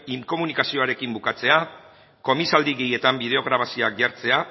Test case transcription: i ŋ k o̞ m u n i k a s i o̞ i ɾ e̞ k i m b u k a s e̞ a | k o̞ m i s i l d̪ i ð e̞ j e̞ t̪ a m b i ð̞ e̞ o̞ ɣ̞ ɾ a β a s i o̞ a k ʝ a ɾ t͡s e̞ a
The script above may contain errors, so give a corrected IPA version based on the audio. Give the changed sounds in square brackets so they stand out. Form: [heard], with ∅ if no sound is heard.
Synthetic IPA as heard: i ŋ k o̞ m u n i k a s i o̞ [a] ɾ e̞ k i m b u k a [t͡s] e̞ a | k o̞ m i s [a] l d̪ i [ɣ] e̞ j e̞ t̪ a m b i ð̞ e̞ o̞ ɣ̞ ɾ a β a s i o̞ a k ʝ a ɾ t͡s e̞ a